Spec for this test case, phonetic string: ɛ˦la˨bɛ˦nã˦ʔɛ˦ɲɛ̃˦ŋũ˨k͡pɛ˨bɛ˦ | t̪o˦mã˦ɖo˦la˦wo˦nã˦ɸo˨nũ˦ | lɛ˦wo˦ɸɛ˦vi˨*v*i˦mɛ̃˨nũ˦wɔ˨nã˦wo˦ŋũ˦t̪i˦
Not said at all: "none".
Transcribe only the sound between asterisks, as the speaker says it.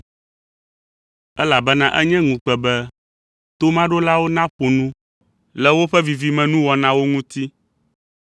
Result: v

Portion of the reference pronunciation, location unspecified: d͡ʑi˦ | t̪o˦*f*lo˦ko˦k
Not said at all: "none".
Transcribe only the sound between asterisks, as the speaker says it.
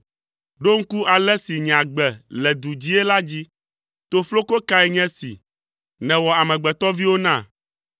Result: f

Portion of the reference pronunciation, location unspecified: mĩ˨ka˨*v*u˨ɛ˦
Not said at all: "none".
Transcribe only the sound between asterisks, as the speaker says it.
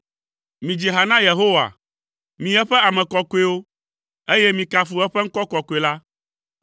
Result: f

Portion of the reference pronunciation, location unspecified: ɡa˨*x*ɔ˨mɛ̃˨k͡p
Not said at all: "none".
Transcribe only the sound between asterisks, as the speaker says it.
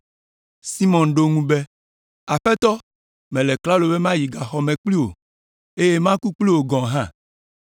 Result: x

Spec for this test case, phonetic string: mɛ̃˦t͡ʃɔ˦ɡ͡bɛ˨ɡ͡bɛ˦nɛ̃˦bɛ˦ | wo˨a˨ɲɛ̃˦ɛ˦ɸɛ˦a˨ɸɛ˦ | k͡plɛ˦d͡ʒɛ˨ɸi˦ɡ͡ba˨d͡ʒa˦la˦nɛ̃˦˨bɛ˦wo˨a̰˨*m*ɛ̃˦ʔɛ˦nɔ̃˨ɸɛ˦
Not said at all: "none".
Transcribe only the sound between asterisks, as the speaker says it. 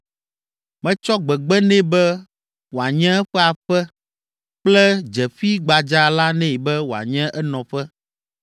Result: ɲ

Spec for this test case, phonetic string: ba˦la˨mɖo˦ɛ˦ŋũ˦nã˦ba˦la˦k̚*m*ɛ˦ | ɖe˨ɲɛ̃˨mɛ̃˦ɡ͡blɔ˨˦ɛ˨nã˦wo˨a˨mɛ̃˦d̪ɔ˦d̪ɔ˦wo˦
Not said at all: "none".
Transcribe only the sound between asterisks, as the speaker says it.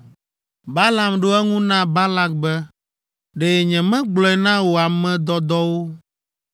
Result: b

